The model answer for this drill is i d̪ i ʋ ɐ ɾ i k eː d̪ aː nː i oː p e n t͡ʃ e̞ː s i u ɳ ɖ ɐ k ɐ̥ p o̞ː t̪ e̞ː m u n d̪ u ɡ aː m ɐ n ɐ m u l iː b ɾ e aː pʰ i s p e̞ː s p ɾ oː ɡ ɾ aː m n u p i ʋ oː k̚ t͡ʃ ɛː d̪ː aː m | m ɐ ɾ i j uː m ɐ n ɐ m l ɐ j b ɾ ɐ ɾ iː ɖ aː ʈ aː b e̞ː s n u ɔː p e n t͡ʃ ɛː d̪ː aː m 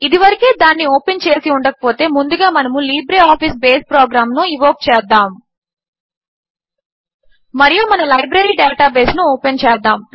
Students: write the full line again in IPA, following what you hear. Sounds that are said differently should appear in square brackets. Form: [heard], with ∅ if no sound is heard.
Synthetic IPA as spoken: i d̪ i ʋ ɐ ɾ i k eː d̪ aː nː i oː p e n t͡ʃ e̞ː s i u ɳ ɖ ɐ k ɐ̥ p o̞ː t̪ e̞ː m u n d̪ u ɡ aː m ɐ n ɐ m u l iː b ɾ e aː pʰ i s [b] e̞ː s p ɾ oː ɡ ɾ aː m n u [∅] i ʋ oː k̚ t͡ʃ ɛː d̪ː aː m | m ɐ ɾ i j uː m ɐ n ɐ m l ɐ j b ɾ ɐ ɾ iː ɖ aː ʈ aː b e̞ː s n u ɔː p e n t͡ʃ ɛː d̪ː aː m